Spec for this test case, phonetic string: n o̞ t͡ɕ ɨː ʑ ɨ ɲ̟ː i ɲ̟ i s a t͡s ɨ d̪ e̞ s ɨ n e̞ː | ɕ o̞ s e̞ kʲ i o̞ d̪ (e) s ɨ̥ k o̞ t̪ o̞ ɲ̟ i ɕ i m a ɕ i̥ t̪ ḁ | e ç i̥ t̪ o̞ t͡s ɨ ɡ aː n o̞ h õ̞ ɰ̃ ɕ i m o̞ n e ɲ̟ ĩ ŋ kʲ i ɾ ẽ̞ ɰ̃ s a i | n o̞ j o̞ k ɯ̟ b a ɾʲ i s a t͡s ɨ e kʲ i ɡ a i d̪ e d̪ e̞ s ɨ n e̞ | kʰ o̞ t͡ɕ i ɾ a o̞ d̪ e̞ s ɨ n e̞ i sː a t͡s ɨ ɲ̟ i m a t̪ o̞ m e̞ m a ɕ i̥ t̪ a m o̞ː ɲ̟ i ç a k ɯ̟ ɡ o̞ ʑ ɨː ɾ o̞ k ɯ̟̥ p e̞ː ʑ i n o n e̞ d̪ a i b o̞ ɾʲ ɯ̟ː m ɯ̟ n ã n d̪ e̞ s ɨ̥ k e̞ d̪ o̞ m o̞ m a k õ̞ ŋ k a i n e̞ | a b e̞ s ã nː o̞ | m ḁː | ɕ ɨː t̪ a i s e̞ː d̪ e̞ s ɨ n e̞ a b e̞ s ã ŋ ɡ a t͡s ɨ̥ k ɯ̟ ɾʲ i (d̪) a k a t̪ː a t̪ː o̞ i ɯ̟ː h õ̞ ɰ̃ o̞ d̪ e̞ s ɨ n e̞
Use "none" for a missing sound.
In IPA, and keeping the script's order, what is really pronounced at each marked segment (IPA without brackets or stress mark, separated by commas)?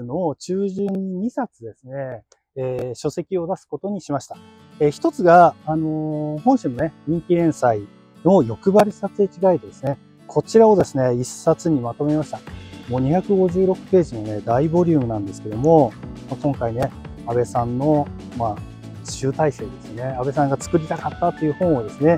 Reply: a, t̪